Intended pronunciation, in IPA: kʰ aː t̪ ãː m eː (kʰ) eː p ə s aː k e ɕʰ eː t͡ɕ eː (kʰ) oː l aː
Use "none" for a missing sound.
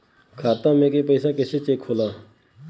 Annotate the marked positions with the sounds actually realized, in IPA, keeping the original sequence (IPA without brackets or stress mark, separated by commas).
k, kʰ